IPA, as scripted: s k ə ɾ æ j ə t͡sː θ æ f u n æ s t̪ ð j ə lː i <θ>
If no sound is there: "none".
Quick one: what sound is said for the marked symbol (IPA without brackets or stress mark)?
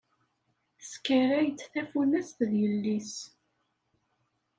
s